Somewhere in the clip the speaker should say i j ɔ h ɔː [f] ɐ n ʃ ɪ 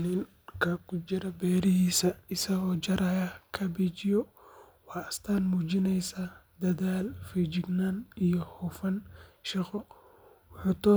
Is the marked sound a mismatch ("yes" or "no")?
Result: no